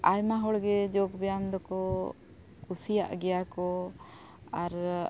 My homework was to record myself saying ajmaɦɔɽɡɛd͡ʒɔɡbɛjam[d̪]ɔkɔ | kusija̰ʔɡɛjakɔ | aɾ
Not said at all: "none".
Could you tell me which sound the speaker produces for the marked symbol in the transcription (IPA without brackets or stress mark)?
d̪